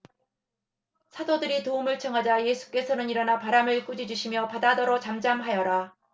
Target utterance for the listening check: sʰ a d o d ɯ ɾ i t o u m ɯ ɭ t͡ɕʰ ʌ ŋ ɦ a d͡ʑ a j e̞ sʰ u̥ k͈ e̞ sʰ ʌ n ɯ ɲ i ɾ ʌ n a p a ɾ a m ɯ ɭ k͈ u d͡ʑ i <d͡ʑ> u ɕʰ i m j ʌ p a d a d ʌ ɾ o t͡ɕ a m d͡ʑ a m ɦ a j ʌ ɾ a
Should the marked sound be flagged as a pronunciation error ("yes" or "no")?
no